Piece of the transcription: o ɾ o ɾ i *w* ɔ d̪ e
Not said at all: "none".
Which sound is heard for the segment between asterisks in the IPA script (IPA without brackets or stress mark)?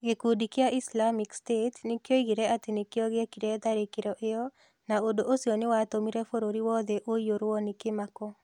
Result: w